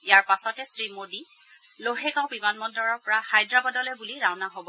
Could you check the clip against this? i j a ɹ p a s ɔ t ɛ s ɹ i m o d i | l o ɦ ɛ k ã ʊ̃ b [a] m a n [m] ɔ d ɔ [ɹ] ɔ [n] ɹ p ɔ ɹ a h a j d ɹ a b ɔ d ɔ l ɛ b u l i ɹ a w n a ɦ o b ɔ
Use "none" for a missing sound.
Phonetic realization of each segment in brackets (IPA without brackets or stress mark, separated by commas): i, m, ɹ, none